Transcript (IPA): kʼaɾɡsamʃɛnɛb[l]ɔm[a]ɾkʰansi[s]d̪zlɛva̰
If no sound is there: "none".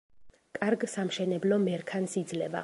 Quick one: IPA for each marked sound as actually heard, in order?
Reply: l, ɛ, none

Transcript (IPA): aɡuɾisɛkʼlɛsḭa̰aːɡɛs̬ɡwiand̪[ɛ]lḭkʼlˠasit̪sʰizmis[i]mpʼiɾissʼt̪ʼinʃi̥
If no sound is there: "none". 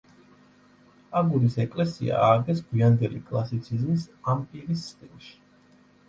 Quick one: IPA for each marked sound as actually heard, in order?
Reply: ɛ, a

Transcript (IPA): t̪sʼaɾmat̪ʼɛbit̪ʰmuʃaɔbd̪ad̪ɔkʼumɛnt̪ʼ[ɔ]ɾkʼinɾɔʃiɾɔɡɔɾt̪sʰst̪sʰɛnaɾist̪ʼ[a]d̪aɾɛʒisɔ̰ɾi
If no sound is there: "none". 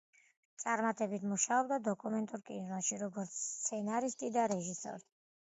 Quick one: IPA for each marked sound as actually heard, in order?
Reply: u, i

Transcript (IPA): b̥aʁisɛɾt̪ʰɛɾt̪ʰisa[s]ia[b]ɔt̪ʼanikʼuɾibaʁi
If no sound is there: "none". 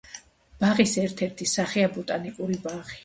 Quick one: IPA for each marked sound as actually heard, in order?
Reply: χ, b

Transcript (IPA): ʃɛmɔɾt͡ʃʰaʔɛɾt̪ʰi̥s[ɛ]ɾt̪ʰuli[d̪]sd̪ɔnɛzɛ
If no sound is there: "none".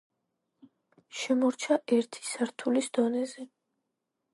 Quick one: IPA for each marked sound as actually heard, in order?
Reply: a, none

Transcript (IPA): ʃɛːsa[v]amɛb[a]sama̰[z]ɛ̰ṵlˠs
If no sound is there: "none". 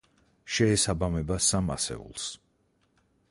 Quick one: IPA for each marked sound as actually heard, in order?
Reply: b, a, s

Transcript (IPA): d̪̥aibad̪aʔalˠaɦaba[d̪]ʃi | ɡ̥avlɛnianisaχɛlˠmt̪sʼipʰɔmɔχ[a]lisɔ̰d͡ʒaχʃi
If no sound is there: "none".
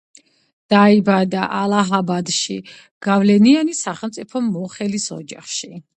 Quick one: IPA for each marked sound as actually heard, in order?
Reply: d̪, ɛ

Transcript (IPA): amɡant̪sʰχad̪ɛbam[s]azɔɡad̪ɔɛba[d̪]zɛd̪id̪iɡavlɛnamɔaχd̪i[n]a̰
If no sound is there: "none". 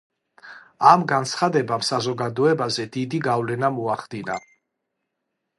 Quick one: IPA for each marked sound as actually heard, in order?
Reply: s, none, n

